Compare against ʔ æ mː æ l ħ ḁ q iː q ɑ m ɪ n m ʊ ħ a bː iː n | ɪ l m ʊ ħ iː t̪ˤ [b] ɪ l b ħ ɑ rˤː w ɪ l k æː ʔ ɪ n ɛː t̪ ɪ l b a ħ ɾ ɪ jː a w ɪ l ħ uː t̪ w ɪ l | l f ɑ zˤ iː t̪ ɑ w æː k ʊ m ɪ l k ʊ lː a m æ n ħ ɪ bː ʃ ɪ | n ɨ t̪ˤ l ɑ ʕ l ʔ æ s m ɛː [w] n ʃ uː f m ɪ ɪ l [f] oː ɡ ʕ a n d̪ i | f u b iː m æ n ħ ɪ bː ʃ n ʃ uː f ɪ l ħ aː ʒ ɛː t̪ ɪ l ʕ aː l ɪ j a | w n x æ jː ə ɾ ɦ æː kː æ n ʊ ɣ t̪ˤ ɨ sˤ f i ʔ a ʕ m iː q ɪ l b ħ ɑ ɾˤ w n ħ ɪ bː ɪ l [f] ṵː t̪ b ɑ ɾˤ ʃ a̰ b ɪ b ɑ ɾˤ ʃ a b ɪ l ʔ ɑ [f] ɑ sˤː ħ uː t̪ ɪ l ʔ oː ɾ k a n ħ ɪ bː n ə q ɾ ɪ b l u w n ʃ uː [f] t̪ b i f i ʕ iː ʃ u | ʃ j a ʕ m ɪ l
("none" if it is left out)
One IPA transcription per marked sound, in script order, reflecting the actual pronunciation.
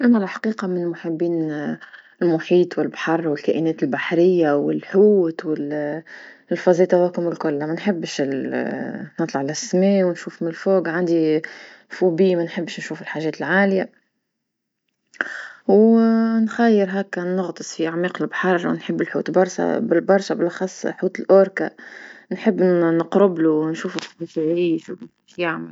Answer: w, w, f, ħ, x, f

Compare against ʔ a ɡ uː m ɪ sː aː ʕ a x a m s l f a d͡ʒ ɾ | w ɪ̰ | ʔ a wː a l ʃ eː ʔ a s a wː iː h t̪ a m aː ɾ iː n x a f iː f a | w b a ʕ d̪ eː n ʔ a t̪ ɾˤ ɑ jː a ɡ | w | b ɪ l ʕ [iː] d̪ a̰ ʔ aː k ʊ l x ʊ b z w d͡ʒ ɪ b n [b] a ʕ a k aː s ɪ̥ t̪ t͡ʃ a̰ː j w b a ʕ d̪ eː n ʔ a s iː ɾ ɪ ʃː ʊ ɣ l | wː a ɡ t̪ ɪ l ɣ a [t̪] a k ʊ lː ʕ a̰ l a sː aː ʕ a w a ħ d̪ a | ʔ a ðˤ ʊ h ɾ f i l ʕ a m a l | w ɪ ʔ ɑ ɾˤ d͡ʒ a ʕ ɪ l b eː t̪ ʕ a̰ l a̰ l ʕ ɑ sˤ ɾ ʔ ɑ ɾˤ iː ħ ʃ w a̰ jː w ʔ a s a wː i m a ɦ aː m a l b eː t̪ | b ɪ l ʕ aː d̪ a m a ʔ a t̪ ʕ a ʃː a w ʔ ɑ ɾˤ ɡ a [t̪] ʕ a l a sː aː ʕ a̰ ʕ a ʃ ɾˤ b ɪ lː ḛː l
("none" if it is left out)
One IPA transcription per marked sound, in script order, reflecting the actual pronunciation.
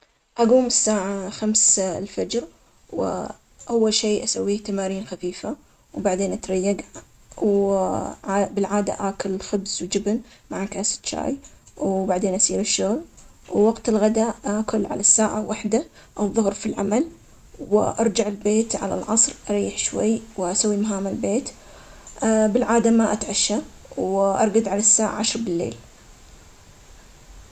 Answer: aː, m, d̪, d̪

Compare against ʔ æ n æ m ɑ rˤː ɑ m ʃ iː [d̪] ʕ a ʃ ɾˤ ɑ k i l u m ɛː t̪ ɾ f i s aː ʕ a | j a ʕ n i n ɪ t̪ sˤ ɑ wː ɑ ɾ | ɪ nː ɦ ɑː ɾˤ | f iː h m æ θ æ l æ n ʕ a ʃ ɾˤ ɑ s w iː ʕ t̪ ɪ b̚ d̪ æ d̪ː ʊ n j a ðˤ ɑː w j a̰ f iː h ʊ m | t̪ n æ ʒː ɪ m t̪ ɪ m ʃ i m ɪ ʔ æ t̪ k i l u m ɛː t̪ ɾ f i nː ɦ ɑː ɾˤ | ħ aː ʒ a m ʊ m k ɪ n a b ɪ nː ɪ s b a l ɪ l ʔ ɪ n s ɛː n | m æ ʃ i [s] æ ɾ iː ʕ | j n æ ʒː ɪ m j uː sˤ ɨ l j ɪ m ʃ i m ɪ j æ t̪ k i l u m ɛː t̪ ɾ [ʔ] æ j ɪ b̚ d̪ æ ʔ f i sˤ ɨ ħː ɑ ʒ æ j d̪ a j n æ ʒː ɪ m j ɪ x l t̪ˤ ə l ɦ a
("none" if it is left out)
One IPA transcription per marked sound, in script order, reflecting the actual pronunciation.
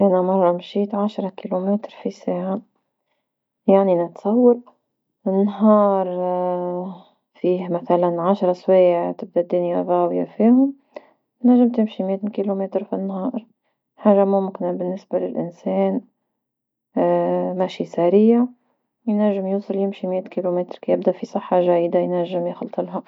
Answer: t̪, s, k

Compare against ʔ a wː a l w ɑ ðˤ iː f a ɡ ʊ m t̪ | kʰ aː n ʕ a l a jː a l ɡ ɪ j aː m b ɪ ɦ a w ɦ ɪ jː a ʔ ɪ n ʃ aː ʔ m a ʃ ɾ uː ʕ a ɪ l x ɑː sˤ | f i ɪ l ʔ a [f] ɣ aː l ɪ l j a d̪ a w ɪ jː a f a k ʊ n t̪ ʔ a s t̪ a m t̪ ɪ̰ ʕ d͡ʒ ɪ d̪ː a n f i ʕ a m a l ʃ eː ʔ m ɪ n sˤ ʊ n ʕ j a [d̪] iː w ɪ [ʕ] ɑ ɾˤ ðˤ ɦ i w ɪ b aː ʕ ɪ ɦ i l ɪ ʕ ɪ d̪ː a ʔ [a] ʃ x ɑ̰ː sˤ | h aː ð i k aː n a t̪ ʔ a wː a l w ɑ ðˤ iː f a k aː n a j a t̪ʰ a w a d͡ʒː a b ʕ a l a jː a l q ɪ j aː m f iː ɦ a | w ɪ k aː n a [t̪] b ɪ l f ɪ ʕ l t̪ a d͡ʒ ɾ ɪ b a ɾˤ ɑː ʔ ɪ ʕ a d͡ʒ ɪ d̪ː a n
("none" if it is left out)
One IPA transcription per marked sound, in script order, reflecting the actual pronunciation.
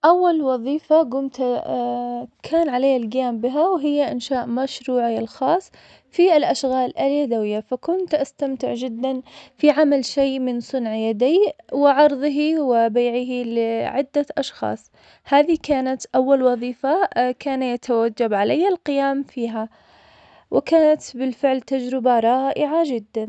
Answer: ʃ, d̪, ʕ, ɑ, t̪

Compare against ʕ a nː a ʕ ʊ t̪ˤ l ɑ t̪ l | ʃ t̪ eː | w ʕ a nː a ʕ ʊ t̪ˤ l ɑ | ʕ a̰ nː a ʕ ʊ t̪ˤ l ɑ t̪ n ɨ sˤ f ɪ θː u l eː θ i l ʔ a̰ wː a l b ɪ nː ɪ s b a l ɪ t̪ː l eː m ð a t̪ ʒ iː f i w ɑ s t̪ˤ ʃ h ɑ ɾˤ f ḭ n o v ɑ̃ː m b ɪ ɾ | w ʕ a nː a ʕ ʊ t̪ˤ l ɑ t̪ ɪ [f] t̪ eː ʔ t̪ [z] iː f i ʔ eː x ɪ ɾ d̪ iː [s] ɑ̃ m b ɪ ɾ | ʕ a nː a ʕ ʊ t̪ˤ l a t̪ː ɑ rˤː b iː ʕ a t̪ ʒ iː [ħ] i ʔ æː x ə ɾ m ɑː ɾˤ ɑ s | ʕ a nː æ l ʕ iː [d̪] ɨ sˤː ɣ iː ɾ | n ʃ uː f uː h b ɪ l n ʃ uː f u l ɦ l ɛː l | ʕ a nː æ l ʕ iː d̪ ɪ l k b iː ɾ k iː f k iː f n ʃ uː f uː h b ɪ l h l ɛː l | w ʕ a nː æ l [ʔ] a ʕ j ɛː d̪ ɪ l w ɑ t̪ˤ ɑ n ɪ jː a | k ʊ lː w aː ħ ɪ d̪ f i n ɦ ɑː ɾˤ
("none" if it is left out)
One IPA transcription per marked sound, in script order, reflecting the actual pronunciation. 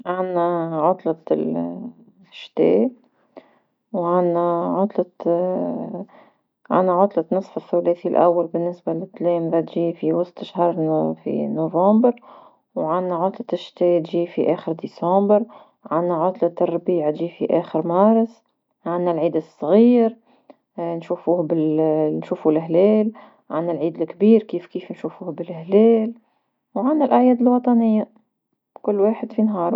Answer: ʃ, ʒ, s, f, d̪, ʔ

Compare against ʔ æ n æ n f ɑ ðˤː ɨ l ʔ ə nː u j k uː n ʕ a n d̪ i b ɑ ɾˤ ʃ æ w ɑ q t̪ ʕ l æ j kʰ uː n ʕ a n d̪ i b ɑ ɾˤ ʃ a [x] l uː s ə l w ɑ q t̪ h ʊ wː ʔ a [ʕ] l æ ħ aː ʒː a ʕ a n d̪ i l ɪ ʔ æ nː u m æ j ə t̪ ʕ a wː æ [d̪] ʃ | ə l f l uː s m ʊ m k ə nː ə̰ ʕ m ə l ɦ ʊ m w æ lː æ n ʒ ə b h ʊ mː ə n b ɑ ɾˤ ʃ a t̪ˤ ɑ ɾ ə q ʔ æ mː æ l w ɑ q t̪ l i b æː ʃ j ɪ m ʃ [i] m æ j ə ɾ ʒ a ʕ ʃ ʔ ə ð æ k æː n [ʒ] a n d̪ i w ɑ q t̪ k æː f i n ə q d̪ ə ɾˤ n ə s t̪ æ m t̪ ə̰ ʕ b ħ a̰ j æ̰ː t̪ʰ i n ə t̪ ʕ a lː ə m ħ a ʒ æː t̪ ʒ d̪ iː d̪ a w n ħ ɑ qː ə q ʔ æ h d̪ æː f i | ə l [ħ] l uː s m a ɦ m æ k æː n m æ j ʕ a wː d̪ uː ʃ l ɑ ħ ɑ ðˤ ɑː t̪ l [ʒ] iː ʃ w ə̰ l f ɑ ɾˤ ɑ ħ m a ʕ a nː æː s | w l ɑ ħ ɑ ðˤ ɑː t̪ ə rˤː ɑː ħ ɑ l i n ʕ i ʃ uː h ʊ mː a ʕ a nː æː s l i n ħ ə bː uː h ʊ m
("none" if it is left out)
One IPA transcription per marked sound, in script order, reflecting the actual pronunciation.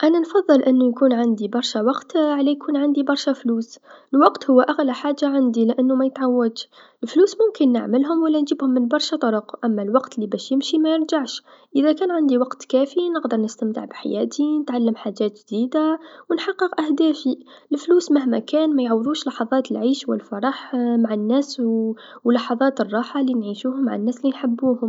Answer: f, ɣ, d̪, i, ʕ, f, ʕ

